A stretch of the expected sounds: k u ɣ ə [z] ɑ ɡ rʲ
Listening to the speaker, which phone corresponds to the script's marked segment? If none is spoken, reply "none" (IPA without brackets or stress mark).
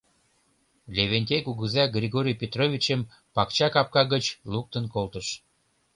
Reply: z